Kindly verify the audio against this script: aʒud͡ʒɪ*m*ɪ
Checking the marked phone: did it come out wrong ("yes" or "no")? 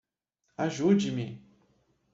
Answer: no